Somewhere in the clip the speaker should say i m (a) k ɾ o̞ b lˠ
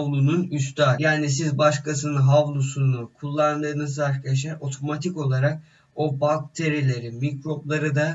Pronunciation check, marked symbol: incorrect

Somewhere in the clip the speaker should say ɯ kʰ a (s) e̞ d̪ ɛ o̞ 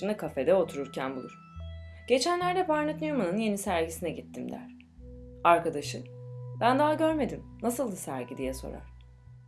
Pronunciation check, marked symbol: incorrect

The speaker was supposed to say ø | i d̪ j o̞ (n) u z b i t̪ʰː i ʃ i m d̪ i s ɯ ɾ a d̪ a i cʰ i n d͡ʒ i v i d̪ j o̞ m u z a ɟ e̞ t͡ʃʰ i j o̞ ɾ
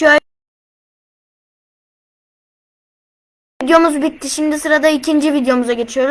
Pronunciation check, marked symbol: incorrect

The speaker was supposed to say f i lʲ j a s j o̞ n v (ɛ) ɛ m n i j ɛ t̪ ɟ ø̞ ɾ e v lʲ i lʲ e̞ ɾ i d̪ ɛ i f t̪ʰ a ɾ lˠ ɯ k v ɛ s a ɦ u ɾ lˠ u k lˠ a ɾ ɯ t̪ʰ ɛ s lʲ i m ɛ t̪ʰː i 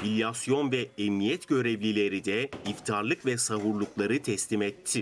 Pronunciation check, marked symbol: correct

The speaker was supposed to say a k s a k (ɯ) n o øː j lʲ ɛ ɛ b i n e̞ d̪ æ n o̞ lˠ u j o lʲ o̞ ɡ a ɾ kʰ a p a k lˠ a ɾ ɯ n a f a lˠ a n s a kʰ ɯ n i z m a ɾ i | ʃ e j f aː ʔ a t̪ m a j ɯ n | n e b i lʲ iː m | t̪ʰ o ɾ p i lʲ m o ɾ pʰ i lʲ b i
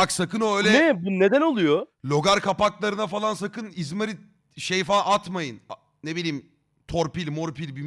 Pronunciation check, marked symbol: correct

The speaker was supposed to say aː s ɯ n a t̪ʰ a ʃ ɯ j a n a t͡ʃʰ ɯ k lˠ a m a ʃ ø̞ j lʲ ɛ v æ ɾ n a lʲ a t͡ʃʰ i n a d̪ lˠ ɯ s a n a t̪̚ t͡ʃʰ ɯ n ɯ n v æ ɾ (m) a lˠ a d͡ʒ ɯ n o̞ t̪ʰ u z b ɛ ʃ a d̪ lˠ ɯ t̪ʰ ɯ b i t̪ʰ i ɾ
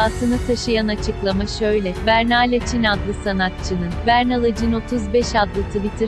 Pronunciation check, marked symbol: incorrect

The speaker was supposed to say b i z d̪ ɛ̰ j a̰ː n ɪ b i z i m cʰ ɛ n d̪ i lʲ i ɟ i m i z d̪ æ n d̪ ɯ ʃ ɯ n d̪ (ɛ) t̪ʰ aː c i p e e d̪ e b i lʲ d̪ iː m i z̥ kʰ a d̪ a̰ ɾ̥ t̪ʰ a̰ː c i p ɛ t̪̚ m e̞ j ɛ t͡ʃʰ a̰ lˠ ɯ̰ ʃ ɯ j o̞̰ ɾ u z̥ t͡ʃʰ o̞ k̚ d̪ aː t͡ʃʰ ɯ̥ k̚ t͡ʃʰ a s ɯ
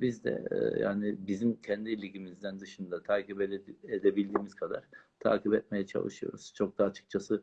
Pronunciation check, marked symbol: incorrect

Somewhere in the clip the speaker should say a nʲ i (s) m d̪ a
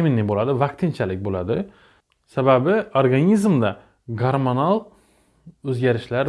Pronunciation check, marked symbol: incorrect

